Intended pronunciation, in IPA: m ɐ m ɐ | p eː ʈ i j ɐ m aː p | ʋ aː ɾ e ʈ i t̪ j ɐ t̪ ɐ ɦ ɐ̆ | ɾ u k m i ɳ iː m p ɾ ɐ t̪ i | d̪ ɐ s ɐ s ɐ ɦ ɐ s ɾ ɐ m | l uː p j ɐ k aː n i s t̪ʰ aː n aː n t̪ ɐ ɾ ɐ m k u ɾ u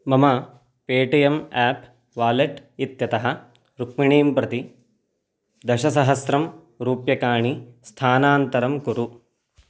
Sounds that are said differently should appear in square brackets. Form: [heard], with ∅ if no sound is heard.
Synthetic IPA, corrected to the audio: m ɐ m ɐ | p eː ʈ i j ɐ m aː p | ʋ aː [l] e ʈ i t̪ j ɐ t̪ ɐ ɦ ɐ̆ | ɾ u k m i ɳ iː m p ɾ ɐ t̪ i | d̪ ɐ [ʃ] ɐ s ɐ ɦ ɐ s ɾ ɐ m | [ɾ] uː p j ɐ k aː [ɳ] i s t̪ʰ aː n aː n t̪ ɐ ɾ ɐ m k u ɾ u